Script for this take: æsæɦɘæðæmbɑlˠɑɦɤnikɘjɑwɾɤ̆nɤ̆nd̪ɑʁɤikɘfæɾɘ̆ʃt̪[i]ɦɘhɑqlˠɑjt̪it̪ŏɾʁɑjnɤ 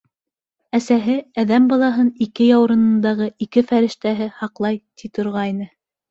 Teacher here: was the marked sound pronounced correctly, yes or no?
no